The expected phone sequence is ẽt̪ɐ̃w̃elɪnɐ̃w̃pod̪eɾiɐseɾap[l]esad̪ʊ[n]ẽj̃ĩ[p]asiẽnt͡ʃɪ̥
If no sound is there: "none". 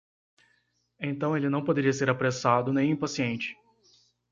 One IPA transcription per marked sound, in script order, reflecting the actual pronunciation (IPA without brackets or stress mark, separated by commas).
ɾ, n, p